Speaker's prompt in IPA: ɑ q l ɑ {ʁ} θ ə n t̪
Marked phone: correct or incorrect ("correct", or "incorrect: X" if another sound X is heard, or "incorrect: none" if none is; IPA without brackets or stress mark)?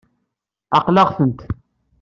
correct